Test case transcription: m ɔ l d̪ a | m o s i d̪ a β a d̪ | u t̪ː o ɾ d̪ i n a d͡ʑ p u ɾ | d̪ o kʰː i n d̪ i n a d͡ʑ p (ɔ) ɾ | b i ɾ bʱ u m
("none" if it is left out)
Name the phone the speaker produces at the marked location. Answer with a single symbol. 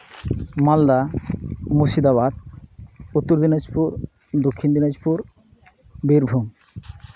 u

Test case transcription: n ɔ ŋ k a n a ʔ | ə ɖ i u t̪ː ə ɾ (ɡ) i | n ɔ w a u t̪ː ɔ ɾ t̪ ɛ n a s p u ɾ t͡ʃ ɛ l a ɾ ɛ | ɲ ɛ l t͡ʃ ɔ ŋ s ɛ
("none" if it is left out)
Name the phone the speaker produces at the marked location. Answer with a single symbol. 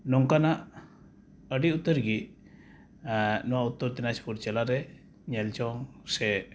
ɡ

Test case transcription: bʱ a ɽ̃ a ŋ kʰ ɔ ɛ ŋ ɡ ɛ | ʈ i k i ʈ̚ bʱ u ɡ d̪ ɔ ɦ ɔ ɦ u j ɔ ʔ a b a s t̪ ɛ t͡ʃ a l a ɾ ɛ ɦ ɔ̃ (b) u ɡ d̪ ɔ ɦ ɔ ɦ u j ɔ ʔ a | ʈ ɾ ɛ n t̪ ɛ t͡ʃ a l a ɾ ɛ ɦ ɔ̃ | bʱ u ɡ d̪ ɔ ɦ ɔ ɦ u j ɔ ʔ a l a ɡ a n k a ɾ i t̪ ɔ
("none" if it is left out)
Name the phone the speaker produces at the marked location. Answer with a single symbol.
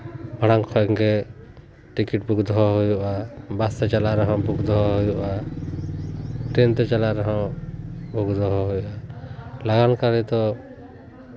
b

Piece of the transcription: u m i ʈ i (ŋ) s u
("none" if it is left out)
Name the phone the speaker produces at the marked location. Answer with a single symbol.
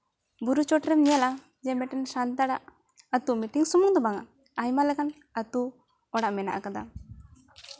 ŋ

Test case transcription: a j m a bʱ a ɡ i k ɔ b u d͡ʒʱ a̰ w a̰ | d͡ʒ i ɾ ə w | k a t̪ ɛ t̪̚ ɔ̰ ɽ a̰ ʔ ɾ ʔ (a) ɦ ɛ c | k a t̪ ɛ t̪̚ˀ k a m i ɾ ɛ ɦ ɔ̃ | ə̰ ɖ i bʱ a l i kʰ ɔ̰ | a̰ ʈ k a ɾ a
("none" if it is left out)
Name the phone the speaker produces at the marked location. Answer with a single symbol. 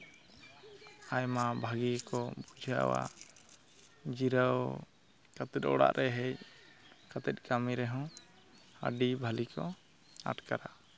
ɛ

